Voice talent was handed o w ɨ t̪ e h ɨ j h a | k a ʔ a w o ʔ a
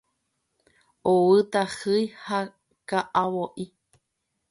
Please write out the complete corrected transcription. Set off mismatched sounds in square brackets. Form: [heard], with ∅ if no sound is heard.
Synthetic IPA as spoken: o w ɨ t̪ [a] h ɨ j h a | k a ʔ a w o ʔ [i]